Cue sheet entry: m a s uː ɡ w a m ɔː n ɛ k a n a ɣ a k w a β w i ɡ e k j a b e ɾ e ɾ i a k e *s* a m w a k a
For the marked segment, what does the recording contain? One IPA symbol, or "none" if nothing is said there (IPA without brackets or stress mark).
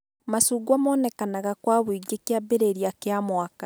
none